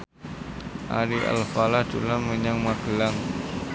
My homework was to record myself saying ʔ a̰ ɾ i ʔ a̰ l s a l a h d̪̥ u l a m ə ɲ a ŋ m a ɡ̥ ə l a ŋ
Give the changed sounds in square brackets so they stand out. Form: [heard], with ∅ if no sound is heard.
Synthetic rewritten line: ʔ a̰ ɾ i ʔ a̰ l [f] a l a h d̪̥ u l a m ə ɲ a ŋ m a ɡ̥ ə l a ŋ